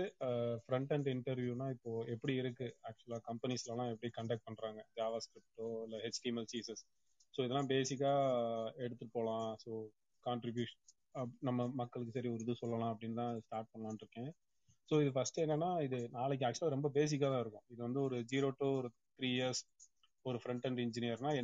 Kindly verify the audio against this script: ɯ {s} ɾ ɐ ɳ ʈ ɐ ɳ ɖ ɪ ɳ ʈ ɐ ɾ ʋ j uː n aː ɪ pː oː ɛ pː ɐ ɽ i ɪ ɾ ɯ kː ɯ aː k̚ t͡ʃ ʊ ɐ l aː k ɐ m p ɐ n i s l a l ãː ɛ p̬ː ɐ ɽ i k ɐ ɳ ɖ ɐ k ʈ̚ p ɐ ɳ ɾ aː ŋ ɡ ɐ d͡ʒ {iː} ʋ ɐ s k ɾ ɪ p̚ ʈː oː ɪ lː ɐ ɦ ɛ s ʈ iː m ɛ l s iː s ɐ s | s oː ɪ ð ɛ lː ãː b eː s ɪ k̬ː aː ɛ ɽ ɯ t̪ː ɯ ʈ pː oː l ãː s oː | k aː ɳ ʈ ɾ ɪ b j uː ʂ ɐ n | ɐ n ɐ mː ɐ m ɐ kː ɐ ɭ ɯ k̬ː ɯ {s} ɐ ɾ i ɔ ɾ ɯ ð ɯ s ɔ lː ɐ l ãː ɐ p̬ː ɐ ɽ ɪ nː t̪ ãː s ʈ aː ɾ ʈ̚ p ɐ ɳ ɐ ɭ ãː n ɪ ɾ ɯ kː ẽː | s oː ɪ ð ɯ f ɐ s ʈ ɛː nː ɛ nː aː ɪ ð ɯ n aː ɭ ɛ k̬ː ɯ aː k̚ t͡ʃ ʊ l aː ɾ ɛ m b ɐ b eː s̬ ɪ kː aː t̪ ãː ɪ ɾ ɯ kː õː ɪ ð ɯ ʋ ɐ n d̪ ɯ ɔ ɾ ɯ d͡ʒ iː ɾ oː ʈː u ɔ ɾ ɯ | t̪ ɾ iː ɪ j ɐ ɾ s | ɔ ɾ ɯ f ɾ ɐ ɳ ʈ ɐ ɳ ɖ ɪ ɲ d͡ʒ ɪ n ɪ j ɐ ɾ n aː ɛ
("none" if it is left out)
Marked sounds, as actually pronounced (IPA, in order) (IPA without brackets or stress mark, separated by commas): f, aː, s